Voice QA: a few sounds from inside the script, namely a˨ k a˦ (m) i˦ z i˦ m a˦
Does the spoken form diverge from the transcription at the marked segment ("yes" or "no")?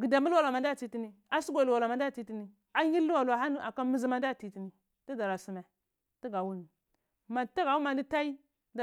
no